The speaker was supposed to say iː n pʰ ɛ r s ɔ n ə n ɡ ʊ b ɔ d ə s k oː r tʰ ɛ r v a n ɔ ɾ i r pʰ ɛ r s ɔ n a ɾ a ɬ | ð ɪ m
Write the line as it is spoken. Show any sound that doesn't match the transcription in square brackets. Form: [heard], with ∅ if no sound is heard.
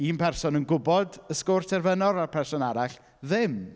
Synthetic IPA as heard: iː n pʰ ɛ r s ɔ n ə n ɡ ʊ b ɔ d ə s k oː r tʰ ɛ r v [ə] n ɔ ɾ [a] r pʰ ɛ r s ɔ n a ɾ a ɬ | ð ɪ m